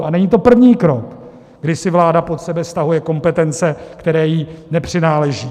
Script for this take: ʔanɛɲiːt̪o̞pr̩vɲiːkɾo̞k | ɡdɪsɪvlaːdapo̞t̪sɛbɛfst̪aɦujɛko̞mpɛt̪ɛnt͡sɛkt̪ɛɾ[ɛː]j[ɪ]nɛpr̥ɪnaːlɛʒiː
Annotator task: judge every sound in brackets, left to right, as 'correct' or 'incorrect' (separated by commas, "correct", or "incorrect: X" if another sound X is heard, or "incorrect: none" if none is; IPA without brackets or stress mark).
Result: correct, incorrect: i